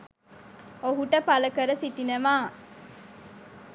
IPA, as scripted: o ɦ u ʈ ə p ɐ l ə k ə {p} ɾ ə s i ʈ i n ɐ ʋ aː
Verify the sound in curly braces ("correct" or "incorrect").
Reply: incorrect